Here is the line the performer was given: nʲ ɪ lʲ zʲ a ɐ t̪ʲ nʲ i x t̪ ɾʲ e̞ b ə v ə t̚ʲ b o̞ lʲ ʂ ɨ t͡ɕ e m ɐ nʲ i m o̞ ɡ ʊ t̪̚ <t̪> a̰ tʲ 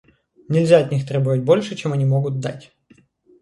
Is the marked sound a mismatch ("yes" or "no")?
yes